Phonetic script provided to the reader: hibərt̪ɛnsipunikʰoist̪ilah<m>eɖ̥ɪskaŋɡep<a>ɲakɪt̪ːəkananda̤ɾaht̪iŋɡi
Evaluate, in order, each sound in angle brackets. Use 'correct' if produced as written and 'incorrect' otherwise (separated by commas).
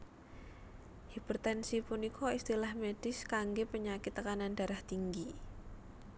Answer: correct, incorrect